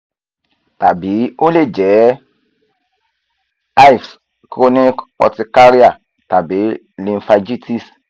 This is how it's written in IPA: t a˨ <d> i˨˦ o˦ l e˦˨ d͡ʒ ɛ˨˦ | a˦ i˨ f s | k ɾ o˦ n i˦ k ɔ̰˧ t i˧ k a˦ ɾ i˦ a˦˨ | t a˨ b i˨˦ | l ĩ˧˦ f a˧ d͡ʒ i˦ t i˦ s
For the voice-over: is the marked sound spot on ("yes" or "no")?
no